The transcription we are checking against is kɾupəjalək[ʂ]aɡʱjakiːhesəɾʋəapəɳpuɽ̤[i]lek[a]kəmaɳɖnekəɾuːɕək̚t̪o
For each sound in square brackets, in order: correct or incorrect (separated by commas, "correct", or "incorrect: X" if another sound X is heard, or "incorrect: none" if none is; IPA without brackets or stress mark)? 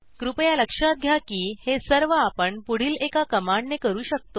correct, incorrect: iː, correct